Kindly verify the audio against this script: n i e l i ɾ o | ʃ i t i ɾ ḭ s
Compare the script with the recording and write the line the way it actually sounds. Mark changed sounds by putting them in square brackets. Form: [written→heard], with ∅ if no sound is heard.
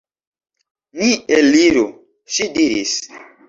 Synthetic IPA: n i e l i ɾ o | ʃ i [t→d] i ɾ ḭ s